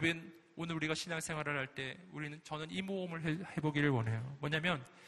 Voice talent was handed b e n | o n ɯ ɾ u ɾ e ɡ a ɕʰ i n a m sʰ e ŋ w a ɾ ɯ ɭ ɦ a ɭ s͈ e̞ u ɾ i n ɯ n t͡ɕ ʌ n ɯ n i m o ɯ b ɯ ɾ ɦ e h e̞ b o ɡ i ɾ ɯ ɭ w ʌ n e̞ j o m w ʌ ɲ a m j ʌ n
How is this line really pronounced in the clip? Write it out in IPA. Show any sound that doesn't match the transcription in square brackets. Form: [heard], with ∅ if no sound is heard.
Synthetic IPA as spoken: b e n | o n ɯ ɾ u ɾ [i] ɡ a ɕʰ i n a [ŋ] sʰ e ŋ w a ɾ ɯ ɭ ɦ a ɭ [t͈] e̞ u ɾ i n ɯ n t͡ɕ ʌ n ɯ n i m o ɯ [m] ɯ [ɭ] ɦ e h e̞ b o ɡ i ɾ ɯ ɭ w ʌ n e̞ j o m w ʌ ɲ a m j ʌ n